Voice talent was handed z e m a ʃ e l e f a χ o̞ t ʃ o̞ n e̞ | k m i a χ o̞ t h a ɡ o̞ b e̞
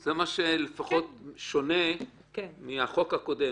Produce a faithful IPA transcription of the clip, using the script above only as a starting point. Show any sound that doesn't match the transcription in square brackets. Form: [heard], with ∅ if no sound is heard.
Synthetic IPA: z e m a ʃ e l e f a χ o̞ t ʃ o̞ n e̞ | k m i a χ o̞ [k] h a [k] o̞ [d] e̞